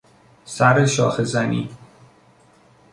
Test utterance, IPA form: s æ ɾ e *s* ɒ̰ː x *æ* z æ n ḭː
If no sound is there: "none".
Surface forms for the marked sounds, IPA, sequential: ʃ, e

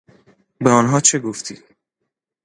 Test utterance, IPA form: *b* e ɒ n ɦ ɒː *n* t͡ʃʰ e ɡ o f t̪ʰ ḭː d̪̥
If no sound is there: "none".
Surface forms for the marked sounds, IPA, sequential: b, none

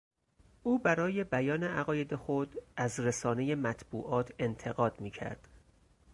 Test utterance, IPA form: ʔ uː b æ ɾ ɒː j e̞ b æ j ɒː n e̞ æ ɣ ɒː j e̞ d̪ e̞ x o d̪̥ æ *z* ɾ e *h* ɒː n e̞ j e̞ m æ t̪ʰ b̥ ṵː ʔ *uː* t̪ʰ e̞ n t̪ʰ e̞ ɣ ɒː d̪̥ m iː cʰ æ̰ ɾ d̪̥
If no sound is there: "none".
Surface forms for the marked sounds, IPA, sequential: z, s, ɒː

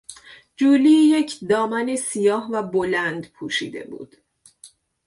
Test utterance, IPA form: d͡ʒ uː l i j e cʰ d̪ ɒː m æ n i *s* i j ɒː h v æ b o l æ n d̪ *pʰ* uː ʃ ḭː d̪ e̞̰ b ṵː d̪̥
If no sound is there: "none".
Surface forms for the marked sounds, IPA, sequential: s, pʰ

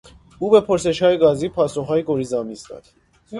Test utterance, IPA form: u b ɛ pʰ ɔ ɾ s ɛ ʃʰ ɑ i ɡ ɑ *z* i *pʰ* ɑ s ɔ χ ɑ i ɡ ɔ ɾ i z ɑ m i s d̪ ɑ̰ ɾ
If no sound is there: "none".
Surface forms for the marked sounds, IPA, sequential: z, pʰ

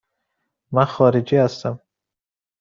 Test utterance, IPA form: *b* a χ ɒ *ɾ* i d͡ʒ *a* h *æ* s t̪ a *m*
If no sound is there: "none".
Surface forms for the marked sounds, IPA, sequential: m, ɾ, i, a, m

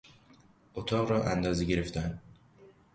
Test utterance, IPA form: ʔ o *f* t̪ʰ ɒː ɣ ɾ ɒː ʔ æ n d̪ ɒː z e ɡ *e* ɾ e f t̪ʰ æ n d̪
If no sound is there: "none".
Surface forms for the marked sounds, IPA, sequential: none, e

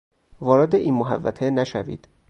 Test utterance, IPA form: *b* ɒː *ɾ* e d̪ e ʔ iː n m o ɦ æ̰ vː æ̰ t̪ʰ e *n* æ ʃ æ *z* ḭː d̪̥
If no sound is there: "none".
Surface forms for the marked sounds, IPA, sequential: v, ɾ, n, v

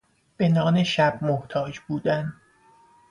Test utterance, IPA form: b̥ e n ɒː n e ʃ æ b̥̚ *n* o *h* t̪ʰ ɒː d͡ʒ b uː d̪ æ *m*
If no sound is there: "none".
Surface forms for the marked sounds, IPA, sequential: m, h, n

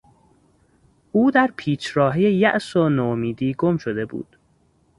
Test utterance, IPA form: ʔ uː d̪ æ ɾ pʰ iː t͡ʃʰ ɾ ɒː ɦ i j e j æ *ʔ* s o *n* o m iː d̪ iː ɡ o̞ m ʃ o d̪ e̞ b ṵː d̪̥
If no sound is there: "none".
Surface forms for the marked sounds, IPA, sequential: ʔ, n

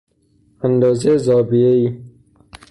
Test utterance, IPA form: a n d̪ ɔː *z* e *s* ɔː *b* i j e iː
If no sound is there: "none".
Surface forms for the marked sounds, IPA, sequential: z, z, b

